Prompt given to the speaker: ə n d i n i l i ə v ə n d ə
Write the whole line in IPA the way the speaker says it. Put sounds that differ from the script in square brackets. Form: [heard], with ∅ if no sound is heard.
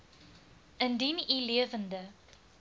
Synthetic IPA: ə n d i n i l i ə v ə n d ə